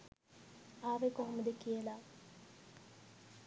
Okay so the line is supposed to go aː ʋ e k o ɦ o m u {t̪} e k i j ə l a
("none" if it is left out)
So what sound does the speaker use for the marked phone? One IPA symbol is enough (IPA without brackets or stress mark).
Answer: d̪